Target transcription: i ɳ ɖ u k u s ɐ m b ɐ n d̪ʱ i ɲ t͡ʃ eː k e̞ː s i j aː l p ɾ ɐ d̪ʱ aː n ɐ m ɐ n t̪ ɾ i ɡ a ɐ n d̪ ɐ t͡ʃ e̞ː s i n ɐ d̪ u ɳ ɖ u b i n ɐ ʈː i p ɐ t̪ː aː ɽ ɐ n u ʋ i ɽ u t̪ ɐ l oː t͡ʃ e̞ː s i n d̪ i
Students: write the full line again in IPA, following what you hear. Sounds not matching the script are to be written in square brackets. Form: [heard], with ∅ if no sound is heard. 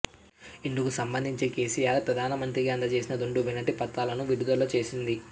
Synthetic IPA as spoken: i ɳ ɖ u k u s ɐ m b ɐ n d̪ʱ i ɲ t͡ʃ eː k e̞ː s i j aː [ɾ] p ɾ ɐ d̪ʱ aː n ɐ m ɐ n t̪ ɾ i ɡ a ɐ n d̪ ɐ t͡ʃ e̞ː s i n ɐ d̪ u ɳ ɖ u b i n ɐ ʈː i p ɐ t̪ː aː [l] ɐ n u ʋ i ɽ u [d̪] ɐ l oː t͡ʃ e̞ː s i n d̪ i